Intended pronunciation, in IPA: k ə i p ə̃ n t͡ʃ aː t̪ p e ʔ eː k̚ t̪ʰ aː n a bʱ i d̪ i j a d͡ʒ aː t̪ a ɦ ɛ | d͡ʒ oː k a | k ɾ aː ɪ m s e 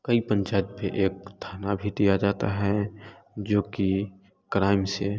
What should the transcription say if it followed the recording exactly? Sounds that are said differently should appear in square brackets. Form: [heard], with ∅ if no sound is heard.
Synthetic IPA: k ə i p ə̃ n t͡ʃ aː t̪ p e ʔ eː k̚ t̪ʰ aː n a bʱ i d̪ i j a d͡ʒ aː t̪ a ɦ ɛ | d͡ʒ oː k [i] | k ɾ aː ɪ m s e

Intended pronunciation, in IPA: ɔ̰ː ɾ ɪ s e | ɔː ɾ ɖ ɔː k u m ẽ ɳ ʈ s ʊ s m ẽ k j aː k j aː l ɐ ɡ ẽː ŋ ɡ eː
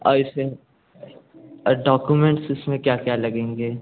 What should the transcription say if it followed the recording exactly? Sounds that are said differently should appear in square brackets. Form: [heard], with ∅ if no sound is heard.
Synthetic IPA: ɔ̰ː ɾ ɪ s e | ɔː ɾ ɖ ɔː k u m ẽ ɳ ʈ s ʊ s m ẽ k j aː k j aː l ɐ ɡ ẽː ŋ ɡ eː

